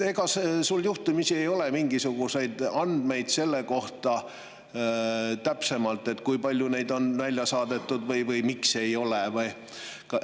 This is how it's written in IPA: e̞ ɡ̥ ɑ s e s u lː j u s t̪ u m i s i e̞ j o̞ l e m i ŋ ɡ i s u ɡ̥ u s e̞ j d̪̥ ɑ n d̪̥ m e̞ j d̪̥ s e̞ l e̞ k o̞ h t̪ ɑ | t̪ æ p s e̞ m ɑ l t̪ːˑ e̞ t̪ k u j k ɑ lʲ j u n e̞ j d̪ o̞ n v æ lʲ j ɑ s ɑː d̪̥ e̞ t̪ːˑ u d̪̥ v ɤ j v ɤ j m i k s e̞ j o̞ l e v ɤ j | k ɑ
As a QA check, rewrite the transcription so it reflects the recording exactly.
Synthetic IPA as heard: e̞ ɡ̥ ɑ s e s u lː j u h t̪ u m i s i e̞ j o̞ l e m i ŋ ɡ i s u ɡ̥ u s e̞ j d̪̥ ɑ n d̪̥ m e̞ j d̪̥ s e̞ lː e̞ k o̞ h t̪ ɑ | t̪ æ p s e̞ m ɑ l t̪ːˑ e̞ t̪ k u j p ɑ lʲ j u n e̞ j d̪ o̞ n v æ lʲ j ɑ s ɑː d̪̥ e̞ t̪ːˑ u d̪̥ v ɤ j v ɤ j m i k s e̞ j o̞ l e v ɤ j | k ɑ